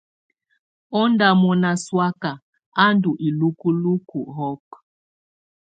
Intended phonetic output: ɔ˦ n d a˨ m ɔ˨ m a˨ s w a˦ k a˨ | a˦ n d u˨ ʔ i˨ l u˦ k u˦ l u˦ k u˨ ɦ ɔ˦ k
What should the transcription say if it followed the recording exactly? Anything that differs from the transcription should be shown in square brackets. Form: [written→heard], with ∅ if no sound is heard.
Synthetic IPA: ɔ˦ n d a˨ m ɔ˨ [m→n] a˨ s w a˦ k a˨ | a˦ n d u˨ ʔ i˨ l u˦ k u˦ l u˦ k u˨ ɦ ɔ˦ k